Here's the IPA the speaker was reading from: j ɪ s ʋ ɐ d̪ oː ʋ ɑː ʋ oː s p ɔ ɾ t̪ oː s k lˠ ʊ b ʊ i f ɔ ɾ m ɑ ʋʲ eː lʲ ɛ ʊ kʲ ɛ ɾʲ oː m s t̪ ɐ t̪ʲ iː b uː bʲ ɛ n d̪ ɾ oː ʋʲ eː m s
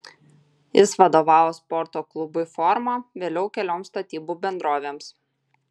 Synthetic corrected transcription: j ɪ s ʋ ɐ d̪ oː ʋ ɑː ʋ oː s p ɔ ɾ t̪ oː k lˠ ʊ b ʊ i f ɔ ɾ m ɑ ʋʲ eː lʲ ɛ ʊ kʲ ɛ lʲ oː m s t̪ ɐ t̪ʲ iː b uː bʲ ɛ n d̪ ɾ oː ʋʲ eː m s